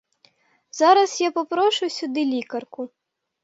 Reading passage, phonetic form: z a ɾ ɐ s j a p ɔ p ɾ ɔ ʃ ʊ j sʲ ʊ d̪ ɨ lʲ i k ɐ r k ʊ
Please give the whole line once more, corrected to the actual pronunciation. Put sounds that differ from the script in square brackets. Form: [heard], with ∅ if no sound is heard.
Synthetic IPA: z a ɾ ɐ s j a p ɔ p ɾ ɔ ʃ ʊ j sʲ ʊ d̪ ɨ lʲ i k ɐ r k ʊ